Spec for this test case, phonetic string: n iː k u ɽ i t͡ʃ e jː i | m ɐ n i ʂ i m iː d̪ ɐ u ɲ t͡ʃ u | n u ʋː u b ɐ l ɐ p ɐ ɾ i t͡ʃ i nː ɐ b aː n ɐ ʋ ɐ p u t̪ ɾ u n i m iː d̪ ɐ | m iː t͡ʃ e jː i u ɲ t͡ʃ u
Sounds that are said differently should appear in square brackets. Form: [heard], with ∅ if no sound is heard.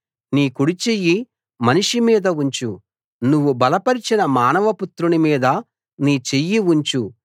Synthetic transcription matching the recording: n iː k u ɽ i t͡ʃ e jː i | m ɐ n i ʂ i m iː d̪ ɐ u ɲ t͡ʃ u | n u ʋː u b ɐ l ɐ p ɐ ɾ i t͡ʃ i [n] ɐ [m] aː n ɐ ʋ ɐ p u t̪ ɾ u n i m iː d̪ ɐ | [n] iː t͡ʃ e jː i u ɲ t͡ʃ u